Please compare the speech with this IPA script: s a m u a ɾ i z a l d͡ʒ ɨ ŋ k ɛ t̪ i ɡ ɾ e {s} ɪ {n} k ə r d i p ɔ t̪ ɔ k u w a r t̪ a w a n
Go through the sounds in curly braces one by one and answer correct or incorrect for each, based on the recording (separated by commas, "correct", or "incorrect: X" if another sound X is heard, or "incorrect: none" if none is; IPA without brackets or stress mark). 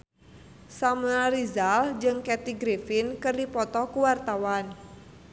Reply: incorrect: f, correct